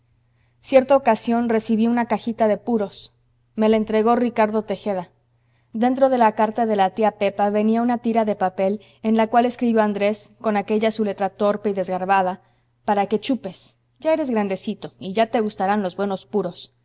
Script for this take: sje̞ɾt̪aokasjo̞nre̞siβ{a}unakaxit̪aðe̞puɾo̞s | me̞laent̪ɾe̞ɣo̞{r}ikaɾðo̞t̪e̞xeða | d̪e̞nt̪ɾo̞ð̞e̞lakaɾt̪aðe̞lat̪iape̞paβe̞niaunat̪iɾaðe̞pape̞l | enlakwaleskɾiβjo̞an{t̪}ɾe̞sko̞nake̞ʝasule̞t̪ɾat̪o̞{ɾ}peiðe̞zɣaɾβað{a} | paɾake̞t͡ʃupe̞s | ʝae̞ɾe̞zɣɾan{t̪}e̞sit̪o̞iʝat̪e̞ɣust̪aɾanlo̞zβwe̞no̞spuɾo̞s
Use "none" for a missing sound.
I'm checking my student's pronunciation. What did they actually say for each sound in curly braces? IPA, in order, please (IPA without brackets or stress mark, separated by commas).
i, r, d̪, ɾ, a, d̪